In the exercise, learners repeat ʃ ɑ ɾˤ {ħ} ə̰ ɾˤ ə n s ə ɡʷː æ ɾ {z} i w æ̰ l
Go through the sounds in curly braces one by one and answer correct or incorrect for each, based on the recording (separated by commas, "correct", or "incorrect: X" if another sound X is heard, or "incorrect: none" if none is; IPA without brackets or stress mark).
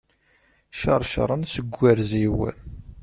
incorrect: ʃ, correct